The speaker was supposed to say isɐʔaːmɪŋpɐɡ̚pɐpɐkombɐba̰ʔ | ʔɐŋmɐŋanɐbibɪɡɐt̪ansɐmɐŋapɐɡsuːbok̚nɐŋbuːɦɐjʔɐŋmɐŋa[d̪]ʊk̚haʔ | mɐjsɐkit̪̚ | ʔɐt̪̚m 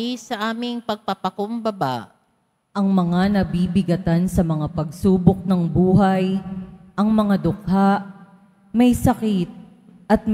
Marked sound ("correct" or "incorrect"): correct